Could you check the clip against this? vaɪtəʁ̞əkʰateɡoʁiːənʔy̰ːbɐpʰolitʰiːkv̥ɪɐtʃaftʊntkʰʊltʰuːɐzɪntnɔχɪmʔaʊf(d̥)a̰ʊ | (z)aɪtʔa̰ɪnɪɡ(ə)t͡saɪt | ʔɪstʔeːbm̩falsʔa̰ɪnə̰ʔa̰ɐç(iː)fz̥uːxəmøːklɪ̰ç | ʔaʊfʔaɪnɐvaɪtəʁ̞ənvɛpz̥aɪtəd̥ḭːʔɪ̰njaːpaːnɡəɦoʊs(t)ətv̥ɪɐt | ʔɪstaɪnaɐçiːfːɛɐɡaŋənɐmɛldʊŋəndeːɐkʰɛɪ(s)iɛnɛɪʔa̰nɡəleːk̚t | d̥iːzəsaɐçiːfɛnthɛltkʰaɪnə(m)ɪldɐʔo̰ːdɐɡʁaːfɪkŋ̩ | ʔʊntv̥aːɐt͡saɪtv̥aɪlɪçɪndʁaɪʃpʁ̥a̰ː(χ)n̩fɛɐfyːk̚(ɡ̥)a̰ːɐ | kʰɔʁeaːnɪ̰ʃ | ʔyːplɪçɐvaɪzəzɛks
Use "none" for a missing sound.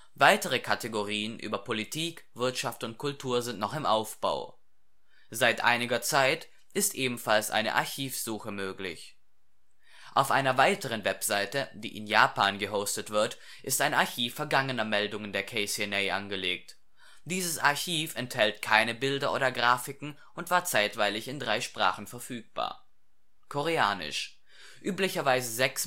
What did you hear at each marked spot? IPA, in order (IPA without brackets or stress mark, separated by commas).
b̥, z, ɐ, iː, t, s, b, χ, b̥